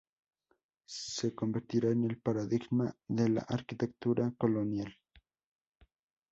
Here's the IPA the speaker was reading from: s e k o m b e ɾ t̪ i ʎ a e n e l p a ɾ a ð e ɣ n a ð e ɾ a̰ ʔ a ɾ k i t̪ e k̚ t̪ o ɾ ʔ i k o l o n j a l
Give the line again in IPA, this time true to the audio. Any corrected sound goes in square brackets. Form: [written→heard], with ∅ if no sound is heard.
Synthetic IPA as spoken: s e k o m b e ɾ t̪ i [ʎ→ɾ] a e n e l p a ɾ a ð [e→i] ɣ [n→m] a ð e [ɾ→l] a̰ ʔ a ɾ k i t̪ e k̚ t̪ [o→u] ɾ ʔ [i→a] k o l o n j a l

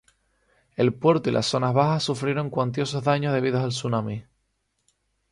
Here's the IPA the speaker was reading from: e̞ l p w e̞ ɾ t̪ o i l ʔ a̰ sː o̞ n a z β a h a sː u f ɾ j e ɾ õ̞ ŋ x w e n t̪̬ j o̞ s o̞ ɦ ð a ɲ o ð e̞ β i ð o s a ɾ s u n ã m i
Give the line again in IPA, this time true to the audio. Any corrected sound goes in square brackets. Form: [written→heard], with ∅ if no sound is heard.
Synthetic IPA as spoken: e̞ l p w e̞ ɾ t̪ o i l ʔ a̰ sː o̞ n a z β a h a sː u f ɾ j e ɾ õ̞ ŋ [x→k] w [e→a] n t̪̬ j o̞ s o̞ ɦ ð a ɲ o ð e̞ β i ð o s a [ɾ→l] s u n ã m i

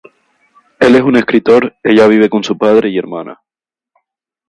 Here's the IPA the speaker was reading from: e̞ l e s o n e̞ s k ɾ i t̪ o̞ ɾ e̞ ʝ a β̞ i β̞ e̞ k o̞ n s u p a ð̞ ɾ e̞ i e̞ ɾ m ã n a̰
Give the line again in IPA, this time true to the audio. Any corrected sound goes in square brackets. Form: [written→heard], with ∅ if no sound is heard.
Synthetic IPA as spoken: e̞ l e s [o→u] n e̞ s k ɾ i t̪ o̞ ɾ e̞ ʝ a β̞ i β̞ e̞ k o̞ n s u p a ð̞ ɾ e̞ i e̞ ɾ m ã n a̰

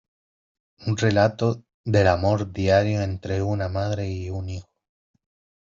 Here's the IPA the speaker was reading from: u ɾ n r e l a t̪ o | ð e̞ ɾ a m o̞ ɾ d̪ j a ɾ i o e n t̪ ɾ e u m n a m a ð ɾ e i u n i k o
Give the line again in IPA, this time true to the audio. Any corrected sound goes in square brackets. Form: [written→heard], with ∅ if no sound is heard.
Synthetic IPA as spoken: u [ɾ→∅] n r e l a t̪ o | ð e̞ [ɾ→l] a m o̞ ɾ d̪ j a ɾ [i→j] o e n t̪ ɾ e u [m→∅] n a m a ð ɾ e i u n i [k→x] o

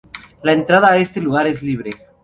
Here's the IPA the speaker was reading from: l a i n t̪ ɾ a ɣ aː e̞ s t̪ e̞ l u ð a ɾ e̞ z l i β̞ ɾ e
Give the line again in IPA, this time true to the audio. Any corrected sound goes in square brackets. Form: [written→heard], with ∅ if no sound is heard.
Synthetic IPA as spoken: l a [i→e] n t̪ ɾ a [ɣ→ð] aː e̞ s t̪ e̞ l u [ð→ɣ] a ɾ e̞ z l i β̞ ɾ e

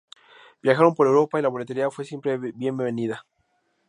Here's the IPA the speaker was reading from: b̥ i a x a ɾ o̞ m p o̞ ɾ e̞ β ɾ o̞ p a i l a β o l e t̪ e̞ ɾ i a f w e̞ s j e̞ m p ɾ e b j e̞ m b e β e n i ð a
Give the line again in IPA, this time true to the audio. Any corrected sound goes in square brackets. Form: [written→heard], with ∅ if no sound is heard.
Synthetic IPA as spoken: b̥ [i→j] a x a ɾ o̞ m p o̞ ɾ e̞ [β→w] ɾ o̞ p a i l a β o l e t̪ e̞ ɾ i a f w e̞ s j e̞ m p ɾ e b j e̞ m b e β e n i ð a

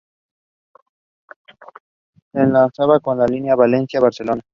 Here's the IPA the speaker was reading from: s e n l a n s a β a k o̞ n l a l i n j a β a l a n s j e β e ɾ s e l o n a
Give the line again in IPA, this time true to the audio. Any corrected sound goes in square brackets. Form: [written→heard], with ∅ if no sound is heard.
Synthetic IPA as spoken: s e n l a n s a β a k o̞ n l a l i n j a β a l [a→e] n s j [e→a] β [e→a] ɾ s e l o n a

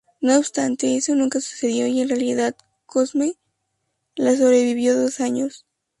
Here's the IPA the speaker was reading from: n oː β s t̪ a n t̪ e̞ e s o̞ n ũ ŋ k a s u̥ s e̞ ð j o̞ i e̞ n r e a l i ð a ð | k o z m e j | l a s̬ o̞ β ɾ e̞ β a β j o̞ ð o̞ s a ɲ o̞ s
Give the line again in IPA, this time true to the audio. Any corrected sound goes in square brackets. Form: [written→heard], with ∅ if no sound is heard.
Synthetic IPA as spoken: n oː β s t̪ a n t̪ e̞ e s o̞ n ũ ŋ k a s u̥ s e̞ ð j o̞ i e̞ n r e a l i ð a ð | k o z m e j | l a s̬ o̞ β ɾ e̞ β [a→i] β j o̞ ð o̞ s a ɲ o̞ s

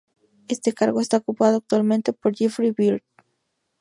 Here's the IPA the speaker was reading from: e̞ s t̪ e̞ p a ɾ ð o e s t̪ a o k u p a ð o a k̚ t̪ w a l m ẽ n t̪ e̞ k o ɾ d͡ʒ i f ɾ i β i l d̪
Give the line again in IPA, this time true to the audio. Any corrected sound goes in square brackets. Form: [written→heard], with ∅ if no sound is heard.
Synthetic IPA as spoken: e̞ s t̪ e̞ [p→k] a ɾ [ð→ɣ] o e s t̪ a o k u p a ð o a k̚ t̪ w a l m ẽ n t̪ e̞ [k→p] o ɾ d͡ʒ i f ɾ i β i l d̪

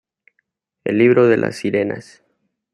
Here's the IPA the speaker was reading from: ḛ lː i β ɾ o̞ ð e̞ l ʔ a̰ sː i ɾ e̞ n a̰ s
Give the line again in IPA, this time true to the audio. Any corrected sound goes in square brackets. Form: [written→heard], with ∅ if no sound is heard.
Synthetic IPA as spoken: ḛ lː i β ɾ o̞ ð e̞ l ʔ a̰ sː i ɾ e̞ n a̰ s

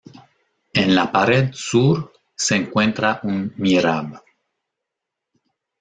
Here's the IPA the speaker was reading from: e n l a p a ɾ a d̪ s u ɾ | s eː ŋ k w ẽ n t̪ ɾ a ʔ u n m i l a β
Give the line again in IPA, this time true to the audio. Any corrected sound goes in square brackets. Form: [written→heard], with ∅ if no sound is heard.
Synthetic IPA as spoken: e n l a p a ɾ [a→e] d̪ s u ɾ | s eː ŋ k w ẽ n t̪ ɾ a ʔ u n m i [l→ɾ] a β

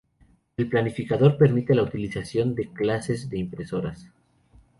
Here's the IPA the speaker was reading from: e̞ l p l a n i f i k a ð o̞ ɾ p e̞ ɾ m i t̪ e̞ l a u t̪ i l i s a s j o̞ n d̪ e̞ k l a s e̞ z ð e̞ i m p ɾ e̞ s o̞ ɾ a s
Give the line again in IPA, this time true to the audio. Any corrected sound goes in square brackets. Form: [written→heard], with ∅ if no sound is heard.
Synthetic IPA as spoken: e̞ l p l a n i f i k a ð o̞ ɾ p e̞ ɾ m i t̪ e̞ l a u t̪ i l i s a s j o̞ n d̪ e̞ k l a s e̞ z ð e̞ i m p ɾ e̞ s o̞ ɾ a s

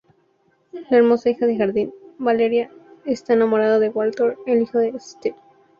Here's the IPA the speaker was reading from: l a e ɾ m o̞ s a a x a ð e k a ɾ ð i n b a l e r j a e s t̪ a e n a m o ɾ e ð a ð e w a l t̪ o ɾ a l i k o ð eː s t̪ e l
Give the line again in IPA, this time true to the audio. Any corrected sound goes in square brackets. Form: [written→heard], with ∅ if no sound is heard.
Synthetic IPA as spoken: l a e ɾ m o̞ s a [a→i] x a ð e [k→x] a ɾ ð i n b a l e [r→ɾ] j a e s t̪ a e n a m o ɾ [e→a] ð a ð e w a l t̪ o ɾ [a→e] l i [k→x] o ð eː s t̪ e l

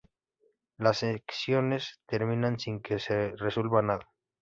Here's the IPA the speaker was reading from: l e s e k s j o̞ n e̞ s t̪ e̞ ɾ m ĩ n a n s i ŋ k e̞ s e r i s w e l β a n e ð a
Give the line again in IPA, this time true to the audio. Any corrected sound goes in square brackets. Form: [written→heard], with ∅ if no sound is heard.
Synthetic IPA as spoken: l [e→a] s e k s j o̞ n e̞ s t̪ e̞ ɾ m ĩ n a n s i ŋ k e̞ s e r [i→e] s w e l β a n [e→a] ð a

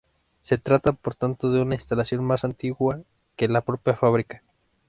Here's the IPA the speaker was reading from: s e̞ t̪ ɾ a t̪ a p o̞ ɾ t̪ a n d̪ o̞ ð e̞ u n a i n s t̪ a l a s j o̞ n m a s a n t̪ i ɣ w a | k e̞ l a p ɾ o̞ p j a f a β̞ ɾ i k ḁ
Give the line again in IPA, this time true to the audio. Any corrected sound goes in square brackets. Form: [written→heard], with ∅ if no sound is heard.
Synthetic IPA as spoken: s e̞ t̪ ɾ a t̪ a p o̞ ɾ t̪ a n [d̪→t̪] o̞ ð e̞ u n a i n s t̪ a l a s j o̞ n m a s a n t̪ i ɣ w a | k e̞ l a p ɾ o̞ p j a f a β̞ ɾ i k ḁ

